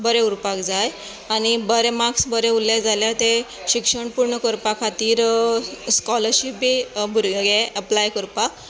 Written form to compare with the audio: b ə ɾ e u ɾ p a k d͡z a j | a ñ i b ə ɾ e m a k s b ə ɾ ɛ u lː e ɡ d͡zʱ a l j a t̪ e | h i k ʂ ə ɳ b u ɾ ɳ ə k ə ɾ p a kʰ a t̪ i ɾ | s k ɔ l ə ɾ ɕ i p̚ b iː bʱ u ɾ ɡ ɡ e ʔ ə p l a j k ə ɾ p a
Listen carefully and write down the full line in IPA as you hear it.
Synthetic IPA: b ə ɾ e u ɾ p a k d͡z a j | a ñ i b ə ɾ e m a k s b ə ɾ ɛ u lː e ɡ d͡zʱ a l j a t̪ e | ɕ i k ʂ ə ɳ p u ɾ ɳ ə k ə ɾ p a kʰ a t̪ iː ɾ | s k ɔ l ə ɾ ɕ i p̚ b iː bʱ u ɾ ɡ ɡ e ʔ ə p l a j k ə ɾ p a